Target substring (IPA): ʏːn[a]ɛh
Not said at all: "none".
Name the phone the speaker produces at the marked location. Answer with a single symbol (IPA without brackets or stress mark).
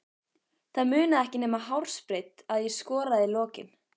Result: a